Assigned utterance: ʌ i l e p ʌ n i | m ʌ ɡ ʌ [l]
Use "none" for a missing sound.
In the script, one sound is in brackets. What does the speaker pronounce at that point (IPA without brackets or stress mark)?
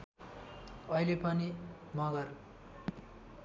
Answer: r